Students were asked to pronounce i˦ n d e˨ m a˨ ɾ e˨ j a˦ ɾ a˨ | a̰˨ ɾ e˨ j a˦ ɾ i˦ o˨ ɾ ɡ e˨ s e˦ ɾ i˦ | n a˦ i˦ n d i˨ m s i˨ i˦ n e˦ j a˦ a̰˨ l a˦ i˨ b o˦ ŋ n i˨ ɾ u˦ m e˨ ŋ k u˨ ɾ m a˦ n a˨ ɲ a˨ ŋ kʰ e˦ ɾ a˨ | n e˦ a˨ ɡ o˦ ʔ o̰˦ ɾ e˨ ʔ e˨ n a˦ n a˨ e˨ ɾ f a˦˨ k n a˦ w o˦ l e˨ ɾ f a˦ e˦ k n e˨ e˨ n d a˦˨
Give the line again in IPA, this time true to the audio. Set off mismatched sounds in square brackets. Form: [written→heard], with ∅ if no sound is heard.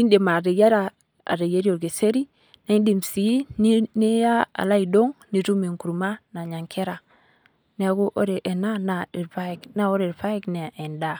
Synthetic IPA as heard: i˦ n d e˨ m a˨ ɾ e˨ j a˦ ɾ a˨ | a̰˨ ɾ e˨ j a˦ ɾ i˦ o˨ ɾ ɡ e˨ s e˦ ɾ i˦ | n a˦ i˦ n d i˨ m s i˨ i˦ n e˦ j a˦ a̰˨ l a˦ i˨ [b→d] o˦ ŋ n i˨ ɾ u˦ m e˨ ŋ k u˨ ɾ m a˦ n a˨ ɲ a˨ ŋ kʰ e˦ ɾ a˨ | n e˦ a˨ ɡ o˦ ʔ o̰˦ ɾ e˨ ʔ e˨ n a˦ n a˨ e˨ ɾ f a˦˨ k n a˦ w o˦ [l→ɾ] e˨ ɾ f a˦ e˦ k n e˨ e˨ n d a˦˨

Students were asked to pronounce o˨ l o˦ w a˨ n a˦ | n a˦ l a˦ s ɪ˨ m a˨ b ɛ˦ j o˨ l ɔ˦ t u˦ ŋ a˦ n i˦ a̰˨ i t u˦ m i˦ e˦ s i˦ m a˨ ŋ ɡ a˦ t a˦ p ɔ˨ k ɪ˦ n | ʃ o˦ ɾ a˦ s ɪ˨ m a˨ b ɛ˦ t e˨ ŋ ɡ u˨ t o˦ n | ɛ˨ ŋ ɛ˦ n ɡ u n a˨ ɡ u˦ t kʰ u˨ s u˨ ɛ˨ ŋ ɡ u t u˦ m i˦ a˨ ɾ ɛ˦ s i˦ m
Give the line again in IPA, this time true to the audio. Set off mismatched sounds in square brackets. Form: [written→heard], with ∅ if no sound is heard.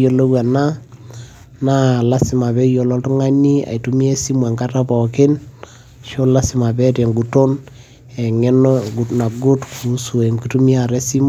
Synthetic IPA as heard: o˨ l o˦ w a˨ n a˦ | n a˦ l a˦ s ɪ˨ m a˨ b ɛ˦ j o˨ l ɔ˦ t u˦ ŋ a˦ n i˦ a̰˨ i t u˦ m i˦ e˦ s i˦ m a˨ ŋ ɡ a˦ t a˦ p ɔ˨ k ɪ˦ n | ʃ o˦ [ɾ→l] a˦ s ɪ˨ m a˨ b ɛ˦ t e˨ ŋ ɡ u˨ t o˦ n | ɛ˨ ŋ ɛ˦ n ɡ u n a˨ ɡ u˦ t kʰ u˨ s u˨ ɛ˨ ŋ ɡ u t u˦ m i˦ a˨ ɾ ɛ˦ s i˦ m

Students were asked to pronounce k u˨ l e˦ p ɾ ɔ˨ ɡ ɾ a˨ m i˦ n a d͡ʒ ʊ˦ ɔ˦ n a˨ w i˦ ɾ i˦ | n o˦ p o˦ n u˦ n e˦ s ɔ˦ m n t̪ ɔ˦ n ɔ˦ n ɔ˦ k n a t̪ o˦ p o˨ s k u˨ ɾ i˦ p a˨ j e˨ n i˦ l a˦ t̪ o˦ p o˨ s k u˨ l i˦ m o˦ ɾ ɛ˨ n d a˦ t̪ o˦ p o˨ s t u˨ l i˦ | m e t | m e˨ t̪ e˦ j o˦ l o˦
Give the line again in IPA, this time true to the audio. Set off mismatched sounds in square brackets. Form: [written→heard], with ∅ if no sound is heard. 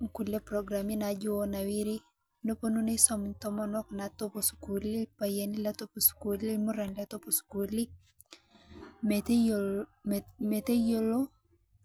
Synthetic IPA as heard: k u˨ l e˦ p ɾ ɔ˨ ɡ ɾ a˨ m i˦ n a d͡ʒ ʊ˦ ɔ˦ n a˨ w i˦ ɾ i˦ | n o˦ p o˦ n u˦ n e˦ s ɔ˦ m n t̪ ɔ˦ [n→m] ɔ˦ n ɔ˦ k n a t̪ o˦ p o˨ s k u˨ [ɾ→l] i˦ p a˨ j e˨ n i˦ l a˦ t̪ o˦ p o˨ s k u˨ l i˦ m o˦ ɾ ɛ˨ n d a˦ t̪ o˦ p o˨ s [t→k] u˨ l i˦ | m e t | m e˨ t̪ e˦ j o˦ l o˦

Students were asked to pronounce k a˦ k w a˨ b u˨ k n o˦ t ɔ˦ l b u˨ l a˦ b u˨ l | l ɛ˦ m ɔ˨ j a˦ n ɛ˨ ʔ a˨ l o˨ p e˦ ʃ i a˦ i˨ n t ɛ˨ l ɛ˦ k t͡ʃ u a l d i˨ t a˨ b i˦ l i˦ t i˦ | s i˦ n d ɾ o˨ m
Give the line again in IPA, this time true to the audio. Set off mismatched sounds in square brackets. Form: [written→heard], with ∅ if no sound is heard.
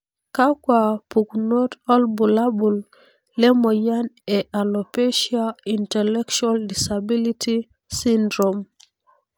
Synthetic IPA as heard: k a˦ k w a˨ [b→p] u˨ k n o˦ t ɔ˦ l b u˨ l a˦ b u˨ l | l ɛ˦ m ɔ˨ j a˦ n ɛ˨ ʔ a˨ l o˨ p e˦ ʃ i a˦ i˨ n t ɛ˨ l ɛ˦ k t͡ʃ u a l d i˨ [t→s] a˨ b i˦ l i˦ t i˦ | s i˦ n d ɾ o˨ m

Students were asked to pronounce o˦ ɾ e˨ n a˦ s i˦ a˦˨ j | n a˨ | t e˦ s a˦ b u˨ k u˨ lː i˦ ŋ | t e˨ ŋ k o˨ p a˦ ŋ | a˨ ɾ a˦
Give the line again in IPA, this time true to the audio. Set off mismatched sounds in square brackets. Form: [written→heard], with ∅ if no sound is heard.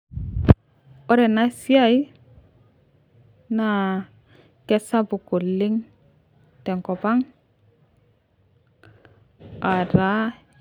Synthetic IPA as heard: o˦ ɾ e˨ n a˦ s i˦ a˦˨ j | n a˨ | [t→k] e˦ s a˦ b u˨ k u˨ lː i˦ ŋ | t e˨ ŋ k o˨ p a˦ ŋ | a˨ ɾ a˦

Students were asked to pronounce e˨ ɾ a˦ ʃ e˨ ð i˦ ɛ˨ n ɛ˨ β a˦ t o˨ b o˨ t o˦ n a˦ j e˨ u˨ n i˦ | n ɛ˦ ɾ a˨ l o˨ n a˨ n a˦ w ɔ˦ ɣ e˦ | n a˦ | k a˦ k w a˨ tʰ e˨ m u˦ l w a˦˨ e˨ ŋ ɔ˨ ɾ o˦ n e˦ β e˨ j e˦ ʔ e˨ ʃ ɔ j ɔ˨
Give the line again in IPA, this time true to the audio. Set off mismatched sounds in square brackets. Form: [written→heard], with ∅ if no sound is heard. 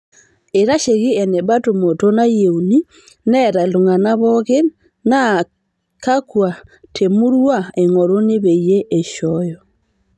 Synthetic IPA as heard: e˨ ɾ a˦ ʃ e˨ [ð→ɣ] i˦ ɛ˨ n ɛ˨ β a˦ t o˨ [b→m] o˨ t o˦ n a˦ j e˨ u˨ n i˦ | n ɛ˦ ɾ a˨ l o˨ [n→ŋ] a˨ n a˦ [w→β] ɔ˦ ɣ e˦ | n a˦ | k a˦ k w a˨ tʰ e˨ m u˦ [l→ɾ] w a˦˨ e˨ ŋ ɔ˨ ɾ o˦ n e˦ β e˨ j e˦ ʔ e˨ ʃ ɔ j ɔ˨

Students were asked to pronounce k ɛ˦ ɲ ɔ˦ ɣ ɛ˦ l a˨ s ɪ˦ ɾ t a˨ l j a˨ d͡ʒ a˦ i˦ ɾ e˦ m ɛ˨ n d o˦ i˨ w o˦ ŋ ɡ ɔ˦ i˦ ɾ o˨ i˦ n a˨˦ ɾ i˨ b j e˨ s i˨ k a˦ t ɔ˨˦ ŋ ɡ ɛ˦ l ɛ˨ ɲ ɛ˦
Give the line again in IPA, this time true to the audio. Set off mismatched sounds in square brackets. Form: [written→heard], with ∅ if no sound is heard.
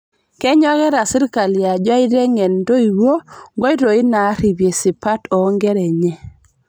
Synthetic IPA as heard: k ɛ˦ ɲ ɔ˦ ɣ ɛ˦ [l→ɾ] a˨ s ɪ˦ ɾ [t→k] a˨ l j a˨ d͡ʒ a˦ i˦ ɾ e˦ [m→ŋ] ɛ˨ n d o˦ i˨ w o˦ ŋ ɡ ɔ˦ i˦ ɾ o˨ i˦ n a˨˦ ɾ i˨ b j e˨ s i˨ [k→p] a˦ t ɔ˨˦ ŋ ɡ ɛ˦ [l→ɾ] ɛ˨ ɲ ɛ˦

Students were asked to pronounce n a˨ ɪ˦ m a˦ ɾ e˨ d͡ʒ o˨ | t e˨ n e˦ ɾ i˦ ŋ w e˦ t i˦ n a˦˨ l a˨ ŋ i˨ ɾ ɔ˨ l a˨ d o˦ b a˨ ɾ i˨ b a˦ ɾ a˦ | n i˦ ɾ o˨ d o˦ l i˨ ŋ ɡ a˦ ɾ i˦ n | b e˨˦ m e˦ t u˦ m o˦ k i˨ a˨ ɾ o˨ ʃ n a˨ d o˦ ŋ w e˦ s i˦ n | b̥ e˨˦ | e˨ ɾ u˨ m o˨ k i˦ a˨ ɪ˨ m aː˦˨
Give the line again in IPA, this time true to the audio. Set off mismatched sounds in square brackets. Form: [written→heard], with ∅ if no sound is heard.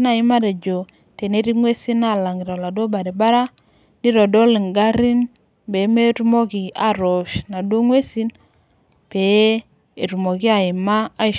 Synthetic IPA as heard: n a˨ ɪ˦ m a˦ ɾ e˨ d͡ʒ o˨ | t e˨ n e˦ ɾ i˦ ŋ w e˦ [t→s] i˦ n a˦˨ l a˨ ŋ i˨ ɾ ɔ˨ l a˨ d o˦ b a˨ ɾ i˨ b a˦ ɾ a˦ | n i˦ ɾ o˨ d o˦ l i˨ ŋ ɡ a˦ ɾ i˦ n | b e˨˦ m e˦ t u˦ m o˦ k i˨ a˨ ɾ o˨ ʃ n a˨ d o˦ ŋ w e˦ s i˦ n | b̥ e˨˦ | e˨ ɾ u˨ m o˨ k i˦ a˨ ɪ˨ m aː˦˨

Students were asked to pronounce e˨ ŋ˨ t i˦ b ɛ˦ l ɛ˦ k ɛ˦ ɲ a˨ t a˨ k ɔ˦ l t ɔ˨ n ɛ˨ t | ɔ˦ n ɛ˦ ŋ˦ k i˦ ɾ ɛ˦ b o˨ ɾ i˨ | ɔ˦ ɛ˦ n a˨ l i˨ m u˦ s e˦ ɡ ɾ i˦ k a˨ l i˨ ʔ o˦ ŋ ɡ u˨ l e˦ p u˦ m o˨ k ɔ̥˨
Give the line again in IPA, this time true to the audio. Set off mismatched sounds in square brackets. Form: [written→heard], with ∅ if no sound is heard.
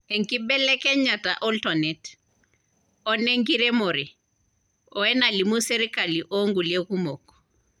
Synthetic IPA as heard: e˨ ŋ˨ [t→k] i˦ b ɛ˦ l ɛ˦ k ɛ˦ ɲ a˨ t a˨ [k→ʔ] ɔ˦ l t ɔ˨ n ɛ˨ t | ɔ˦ n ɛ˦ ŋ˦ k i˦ ɾ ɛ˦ [b→m] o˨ ɾ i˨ | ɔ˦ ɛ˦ n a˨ l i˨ m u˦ s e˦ [ɡ→∅] ɾ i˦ k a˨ l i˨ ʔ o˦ ŋ ɡ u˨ l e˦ [p→k] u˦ m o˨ k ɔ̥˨

